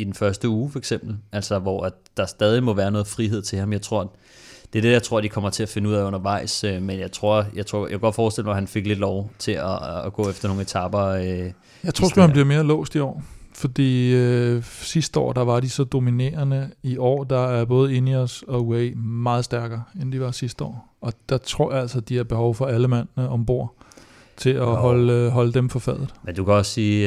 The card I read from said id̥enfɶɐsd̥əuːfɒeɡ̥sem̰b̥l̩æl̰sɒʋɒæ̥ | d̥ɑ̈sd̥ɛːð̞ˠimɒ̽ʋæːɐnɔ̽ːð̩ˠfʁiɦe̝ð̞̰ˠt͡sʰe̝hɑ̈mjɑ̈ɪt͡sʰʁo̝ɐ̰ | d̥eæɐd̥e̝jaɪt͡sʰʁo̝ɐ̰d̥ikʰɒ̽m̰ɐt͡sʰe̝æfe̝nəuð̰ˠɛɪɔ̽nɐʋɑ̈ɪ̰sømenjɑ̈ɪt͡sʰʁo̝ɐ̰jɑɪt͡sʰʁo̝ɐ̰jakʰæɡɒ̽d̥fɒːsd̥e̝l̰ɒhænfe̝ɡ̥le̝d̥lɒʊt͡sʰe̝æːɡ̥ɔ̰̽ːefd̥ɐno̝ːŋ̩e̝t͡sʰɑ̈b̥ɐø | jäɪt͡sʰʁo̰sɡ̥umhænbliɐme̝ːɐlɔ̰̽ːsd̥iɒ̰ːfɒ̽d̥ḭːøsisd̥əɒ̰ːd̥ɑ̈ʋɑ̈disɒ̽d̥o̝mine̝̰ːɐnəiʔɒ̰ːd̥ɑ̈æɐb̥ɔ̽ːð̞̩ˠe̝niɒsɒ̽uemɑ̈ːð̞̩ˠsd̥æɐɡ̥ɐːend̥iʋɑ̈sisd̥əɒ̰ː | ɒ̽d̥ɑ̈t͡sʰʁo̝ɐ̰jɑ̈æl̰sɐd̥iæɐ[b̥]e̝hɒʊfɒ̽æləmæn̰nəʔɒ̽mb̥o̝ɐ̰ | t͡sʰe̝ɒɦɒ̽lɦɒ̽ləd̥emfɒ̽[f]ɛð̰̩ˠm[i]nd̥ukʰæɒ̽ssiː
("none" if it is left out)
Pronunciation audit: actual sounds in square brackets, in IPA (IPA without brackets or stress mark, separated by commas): b̥, f, e